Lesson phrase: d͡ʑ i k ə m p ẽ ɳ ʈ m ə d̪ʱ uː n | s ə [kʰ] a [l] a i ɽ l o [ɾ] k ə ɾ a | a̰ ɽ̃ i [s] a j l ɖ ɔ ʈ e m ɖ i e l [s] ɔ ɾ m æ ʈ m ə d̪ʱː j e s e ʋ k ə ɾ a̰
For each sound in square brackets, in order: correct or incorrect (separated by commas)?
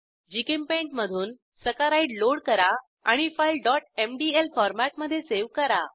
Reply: incorrect, incorrect, incorrect, incorrect, incorrect